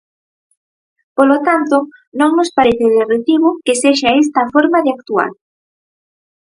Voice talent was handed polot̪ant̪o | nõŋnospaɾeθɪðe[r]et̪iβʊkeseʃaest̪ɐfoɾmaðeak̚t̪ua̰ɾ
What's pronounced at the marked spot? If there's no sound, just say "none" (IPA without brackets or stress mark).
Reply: r